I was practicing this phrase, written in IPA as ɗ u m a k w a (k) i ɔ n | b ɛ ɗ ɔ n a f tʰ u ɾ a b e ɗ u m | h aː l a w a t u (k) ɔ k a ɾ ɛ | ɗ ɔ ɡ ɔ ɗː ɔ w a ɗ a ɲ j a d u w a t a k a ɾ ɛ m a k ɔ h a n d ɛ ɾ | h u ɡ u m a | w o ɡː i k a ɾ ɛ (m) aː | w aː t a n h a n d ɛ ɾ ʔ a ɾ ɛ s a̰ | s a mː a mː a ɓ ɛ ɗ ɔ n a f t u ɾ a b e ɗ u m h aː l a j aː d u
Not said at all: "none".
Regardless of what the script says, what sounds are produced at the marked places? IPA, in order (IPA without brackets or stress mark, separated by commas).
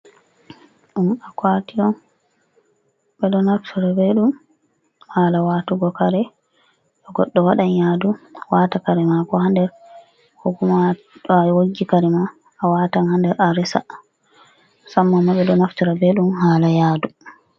t, ɡ, m